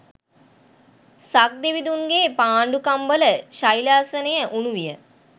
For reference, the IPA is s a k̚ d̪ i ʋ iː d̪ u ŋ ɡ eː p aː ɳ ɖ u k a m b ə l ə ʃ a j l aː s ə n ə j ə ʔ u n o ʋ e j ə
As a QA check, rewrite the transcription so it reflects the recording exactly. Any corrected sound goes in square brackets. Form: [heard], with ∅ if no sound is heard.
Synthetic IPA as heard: s a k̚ d̪ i ʋ [i] d̪ u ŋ ɡ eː p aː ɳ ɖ u k a m b ə l ə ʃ a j l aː s ə n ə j ə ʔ u n [u] ʋ [i] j ə